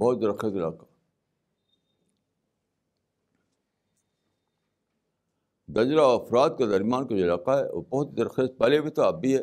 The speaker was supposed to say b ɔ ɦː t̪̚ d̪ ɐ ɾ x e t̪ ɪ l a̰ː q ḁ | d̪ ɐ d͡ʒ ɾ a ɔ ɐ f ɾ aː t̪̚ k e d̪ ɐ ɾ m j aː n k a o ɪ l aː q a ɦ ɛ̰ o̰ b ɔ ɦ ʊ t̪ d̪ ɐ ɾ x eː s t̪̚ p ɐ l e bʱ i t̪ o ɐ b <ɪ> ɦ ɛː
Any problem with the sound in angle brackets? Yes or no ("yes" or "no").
yes